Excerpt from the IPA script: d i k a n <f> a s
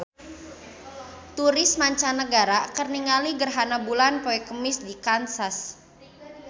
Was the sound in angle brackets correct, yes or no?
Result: no